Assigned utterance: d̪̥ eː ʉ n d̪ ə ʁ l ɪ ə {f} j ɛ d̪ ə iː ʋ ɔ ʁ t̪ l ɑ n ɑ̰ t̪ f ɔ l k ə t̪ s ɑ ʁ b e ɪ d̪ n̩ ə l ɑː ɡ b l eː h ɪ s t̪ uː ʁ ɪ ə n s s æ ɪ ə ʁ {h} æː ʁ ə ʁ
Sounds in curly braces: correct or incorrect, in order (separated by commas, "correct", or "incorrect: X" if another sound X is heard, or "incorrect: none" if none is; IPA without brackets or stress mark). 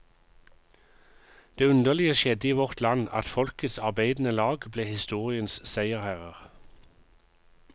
incorrect: ʃ, correct